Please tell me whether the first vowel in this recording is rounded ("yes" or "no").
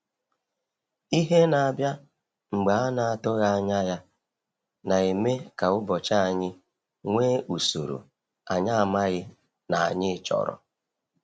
no